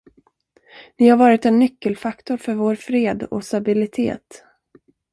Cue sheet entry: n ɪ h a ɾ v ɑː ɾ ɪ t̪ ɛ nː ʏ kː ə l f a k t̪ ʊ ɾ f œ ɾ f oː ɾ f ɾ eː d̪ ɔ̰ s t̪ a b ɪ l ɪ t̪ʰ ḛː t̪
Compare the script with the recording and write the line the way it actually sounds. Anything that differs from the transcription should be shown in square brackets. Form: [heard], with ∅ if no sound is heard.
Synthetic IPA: n ɪ h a ɾ v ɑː ɾ ɪ t̪ ɛ nː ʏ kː ə l f a k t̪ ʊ ɾ f œ ɾ [v] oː ɾ f ɾ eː d̪ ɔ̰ s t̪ a b ɪ l ɪ t̪ʰ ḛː t̪